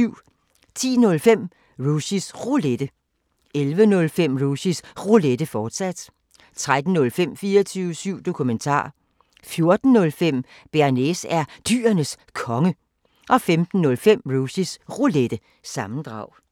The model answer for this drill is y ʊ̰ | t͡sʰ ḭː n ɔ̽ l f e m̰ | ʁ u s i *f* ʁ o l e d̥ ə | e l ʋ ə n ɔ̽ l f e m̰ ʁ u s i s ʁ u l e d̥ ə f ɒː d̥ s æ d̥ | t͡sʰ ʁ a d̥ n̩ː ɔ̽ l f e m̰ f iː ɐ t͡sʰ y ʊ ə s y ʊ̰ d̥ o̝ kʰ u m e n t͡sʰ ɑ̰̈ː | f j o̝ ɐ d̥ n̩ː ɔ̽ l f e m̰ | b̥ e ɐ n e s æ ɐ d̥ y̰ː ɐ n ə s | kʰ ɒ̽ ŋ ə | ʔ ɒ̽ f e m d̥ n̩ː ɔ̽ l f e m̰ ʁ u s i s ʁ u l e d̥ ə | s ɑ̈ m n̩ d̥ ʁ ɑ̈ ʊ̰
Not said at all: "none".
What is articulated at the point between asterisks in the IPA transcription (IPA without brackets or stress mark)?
s